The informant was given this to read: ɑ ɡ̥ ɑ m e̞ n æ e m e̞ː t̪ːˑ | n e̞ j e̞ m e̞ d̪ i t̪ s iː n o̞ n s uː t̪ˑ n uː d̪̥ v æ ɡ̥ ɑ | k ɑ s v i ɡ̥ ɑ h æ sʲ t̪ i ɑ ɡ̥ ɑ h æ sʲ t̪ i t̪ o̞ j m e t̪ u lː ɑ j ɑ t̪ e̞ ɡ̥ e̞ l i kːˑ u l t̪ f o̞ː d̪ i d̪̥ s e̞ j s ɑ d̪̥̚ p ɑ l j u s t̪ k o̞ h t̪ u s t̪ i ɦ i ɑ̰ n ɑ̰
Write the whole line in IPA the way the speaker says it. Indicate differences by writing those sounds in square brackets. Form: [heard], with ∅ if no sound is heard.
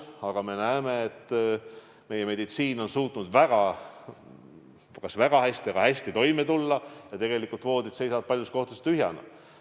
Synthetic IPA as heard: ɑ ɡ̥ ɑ m e̞ n æ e m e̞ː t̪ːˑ | [m] e̞ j e̞ m e̞ d̪ i t̪ s iː n o̞ n s uː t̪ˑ n [u] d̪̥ v æ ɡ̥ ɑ | k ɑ s v [æ] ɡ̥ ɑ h æ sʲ t̪ i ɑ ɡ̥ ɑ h æ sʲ t̪ i t̪ o̞ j m e t̪ u lː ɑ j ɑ t̪ e̞ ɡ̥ e̞ l i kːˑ u l t̪ [v] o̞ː d̪ i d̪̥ s e̞ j s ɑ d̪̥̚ p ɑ l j u s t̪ k o̞ h t̪ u s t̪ [y] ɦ [j] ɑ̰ n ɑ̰

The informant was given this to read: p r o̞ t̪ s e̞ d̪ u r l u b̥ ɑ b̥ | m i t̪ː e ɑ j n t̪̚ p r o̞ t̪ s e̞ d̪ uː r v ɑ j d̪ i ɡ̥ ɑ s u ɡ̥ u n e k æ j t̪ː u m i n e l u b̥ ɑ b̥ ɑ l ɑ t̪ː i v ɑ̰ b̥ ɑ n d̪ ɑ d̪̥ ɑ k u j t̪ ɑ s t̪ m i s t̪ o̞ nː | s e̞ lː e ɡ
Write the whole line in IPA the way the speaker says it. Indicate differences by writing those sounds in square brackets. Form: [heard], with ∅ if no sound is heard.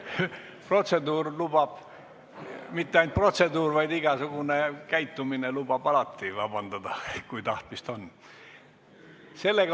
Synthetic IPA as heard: p r o̞ t̪ s e̞ d̪ [uː] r l u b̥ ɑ b̥ | m i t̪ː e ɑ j n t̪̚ p r o̞ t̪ s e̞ d̪ uː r v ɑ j d̪ i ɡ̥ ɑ s u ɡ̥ u n e k æ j t̪ː u m i n e l u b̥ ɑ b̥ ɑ l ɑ t̪ː i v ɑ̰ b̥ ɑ n d̪ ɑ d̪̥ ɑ k u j t̪ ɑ [h] t̪ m i s t̪ o̞ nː | s e̞ lː e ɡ

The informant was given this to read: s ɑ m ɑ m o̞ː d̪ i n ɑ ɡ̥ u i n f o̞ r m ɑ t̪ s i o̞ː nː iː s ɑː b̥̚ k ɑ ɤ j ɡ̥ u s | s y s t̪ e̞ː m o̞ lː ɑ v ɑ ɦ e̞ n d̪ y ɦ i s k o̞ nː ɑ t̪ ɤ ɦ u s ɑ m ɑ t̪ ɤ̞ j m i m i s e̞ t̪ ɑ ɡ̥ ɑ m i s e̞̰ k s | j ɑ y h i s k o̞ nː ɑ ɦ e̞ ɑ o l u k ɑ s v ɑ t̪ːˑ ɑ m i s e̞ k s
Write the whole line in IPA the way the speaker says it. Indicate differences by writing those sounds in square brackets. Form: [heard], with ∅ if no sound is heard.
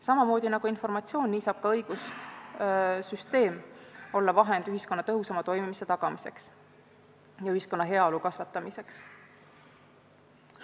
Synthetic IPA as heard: s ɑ m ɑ m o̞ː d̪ i n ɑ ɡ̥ u i n f o̞ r m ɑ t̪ s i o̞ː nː iː s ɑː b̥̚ k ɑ ɤ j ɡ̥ u s | s y s t̪ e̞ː m o̞ lː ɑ v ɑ ɦ e̞ n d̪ y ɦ i s k o̞ nː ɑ t̪ ɤ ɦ u s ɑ m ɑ t̪ [o̞] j m i m i s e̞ t̪ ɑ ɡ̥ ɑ m i s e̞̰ k s | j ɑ y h i s k o̞ nː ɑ ɦ e̞ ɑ o l u k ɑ s v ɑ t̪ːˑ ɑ m i s e̞ k s

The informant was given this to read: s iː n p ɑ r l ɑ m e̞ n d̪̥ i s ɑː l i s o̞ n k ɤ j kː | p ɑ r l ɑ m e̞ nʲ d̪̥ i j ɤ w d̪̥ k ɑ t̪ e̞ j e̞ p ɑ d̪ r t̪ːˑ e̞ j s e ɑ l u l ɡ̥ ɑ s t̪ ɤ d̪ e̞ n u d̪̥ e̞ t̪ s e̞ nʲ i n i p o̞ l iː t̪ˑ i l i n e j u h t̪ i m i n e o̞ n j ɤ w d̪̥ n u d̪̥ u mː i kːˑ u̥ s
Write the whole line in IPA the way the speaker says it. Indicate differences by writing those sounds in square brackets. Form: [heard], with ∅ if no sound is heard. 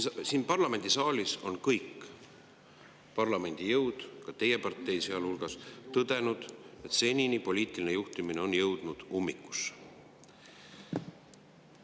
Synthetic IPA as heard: s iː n p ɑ r l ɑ m e̞ n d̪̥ i s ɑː l i s o̞ n k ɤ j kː | p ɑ r l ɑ m e̞ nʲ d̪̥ i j ɤ w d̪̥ k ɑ t̪ e̞ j e̞ p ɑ [∅] r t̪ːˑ e̞ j s e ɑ l u l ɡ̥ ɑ s t̪ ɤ d̪ e̞ n u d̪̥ e̞ t̪ s e̞ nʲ i n i p o̞ l iː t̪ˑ i l i n e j u h t̪ i m i n e o̞ n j ɤ w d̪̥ n u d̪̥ u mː i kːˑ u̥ s

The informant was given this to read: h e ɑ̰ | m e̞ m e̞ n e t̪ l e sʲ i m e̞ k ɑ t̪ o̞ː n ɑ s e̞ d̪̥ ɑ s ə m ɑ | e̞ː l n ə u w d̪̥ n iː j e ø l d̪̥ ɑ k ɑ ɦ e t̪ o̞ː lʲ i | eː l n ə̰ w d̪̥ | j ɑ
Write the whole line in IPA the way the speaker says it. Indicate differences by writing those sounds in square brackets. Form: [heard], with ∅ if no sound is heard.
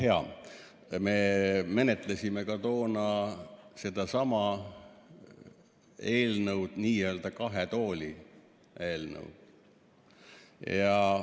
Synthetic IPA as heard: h e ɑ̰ | m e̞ m e̞ n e t̪ l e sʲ i m e̞ k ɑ t̪ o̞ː n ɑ s e̞ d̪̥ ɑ s [ɑ] m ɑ | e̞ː l n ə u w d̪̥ n iː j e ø l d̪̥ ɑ k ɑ ɦ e t̪ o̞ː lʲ i | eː l n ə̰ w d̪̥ | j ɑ

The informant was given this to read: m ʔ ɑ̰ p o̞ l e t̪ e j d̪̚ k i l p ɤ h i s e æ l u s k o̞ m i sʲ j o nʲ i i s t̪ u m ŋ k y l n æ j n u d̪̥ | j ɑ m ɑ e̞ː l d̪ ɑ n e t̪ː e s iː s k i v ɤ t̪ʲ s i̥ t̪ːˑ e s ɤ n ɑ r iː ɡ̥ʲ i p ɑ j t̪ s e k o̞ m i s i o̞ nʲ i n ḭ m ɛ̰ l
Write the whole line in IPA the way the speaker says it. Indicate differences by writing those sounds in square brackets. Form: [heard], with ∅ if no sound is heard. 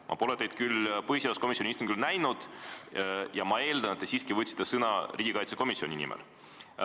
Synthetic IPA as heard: m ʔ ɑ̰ p o̞ l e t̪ e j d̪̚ k [y] l p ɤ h i s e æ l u s k o̞ m i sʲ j o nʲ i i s t̪ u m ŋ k y l n æ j n u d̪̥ | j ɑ m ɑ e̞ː l d̪ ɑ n e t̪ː e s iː s k i v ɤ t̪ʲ s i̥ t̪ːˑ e s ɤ n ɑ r iː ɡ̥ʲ i [k] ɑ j t̪ s e k o̞ m i s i o̞ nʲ i n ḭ m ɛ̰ l

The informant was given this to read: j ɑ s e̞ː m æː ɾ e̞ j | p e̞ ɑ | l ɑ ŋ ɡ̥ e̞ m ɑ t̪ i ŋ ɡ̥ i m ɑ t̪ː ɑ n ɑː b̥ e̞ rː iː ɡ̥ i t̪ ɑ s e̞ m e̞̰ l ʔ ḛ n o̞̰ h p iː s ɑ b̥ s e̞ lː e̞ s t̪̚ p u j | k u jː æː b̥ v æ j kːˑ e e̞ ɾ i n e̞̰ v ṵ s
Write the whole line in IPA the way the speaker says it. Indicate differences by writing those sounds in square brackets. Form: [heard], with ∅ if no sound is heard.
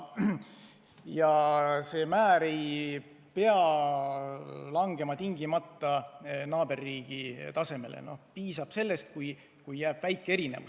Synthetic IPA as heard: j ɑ s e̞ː m æː ɾ e̞ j | p e̞ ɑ | l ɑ ŋ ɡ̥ e̞ m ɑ t̪ i ŋ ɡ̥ i m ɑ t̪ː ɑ n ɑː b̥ e̞ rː iː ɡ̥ i t̪ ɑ s e̞ m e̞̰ l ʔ ḛ n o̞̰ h p iː s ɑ b̥ s e̞ lː e̞ s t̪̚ [k] u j | k u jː æː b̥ v æ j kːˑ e e̞ ɾ i n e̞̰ v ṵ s

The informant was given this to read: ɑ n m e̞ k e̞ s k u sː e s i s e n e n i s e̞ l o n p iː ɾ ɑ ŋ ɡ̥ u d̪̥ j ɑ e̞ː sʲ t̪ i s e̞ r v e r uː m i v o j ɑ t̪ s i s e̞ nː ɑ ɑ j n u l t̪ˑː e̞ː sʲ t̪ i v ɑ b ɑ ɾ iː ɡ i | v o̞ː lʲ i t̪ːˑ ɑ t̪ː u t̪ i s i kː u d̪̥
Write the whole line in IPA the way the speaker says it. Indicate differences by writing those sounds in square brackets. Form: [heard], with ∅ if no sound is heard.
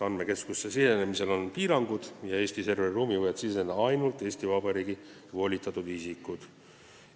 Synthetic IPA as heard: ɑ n m e̞ k e̞ s k u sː e s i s e n e [m] i s e̞ l o n p iː ɾ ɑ ŋ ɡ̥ u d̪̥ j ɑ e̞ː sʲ t̪ i s e̞ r v e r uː m i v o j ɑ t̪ s i s e̞ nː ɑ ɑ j n u l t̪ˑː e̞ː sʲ t̪ i v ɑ b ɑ ɾ iː ɡ i | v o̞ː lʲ i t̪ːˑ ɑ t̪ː u [d̪] i s i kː u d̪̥

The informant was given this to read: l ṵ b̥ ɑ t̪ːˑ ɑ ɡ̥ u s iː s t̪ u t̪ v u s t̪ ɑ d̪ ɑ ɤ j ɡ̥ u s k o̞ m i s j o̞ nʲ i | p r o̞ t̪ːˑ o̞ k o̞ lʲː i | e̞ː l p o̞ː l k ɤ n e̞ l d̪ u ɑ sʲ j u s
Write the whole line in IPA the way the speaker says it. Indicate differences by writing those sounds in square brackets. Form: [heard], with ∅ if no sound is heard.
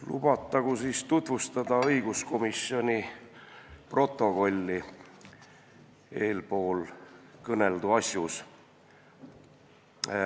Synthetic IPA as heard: l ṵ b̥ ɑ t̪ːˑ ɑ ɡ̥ u s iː s t̪ u t̪ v u s t̪ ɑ d̪ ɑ ɤ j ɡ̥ u s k o̞ m i s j o̞ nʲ i | p r o̞ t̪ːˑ o̞ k o̞ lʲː i | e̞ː l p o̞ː l k ɤ n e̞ l d̪ u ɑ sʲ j u s

